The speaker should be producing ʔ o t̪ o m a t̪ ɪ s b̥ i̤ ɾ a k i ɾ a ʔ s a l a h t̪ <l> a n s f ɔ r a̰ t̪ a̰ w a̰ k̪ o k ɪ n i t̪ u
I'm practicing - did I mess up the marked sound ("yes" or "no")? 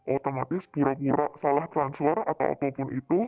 yes